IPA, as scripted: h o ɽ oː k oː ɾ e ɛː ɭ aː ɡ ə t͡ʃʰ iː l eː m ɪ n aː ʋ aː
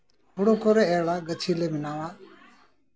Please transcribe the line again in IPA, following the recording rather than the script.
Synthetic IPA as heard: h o ɽ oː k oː ɾ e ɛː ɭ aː ɡ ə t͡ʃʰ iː l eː m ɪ n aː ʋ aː